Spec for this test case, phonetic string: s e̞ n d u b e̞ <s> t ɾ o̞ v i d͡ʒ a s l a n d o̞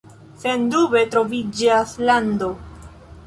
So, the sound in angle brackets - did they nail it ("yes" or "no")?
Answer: no